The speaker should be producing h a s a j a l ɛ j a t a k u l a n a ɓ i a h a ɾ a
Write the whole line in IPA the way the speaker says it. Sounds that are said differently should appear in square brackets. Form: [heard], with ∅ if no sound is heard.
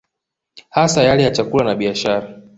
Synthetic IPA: h a s a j a l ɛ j a [t͡ʃ] a k u l a n a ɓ i a [ʃ] a ɾ a